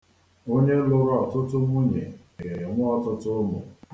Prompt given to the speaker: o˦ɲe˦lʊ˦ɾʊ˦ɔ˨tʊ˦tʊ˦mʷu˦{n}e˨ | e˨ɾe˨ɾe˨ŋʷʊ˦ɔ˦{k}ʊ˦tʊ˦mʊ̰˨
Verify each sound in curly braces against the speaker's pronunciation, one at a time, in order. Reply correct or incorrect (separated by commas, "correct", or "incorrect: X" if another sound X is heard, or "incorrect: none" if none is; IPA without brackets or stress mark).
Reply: incorrect: ɲ, incorrect: t